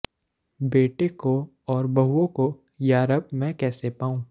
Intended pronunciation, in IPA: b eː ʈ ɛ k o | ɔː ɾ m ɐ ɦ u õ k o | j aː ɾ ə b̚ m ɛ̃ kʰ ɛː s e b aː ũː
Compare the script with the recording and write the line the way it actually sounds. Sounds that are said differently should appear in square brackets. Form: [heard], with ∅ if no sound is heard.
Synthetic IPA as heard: b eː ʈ [e] k o | ɔː ɾ [b] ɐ ɦ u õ k o | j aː ɾ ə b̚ m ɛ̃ [k] ɛː s e [p] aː ũː